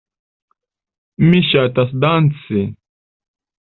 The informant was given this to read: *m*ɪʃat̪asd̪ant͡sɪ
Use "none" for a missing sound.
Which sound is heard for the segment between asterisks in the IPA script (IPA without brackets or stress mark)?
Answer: m